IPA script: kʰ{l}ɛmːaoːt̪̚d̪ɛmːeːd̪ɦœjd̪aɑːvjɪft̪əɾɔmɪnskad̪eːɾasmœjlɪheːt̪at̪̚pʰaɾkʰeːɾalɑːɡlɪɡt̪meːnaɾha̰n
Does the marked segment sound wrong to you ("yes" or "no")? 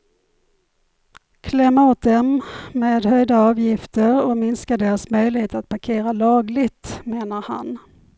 no